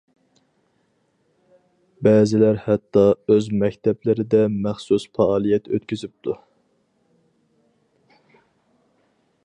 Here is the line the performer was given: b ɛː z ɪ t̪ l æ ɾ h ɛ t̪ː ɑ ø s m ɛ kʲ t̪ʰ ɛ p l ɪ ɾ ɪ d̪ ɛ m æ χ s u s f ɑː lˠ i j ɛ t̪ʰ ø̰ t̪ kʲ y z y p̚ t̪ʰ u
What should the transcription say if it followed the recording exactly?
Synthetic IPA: b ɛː z ɪ l æ ɾ h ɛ t̪ː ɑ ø z m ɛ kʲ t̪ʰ ɛ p l ɪ ɾ ɪ d̪ ɛ m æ χ s u s f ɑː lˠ i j ɛ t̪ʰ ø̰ t̪ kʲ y z y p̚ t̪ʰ u